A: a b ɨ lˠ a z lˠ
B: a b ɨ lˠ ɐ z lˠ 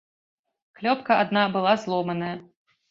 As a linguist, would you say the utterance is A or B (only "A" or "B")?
A